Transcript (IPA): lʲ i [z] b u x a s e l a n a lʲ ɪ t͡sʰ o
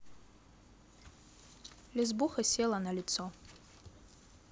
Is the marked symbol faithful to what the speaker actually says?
yes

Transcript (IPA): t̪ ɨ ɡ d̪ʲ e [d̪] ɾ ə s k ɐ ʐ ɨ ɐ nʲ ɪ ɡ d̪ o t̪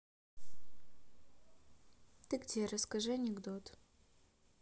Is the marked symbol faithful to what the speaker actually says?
no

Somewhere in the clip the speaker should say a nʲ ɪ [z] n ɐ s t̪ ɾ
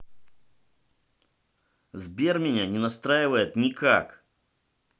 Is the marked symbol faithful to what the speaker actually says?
no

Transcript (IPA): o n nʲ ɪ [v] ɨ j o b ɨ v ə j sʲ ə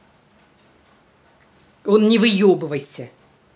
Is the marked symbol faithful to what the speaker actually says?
yes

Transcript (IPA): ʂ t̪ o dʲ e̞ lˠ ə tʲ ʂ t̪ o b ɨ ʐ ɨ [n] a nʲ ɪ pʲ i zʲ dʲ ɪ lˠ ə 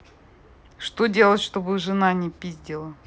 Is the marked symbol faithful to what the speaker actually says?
yes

